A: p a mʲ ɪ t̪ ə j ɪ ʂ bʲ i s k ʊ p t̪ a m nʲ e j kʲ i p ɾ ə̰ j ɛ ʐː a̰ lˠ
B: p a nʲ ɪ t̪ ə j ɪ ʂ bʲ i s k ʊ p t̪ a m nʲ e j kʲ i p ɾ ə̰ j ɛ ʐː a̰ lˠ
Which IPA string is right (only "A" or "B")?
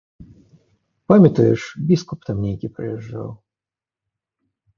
A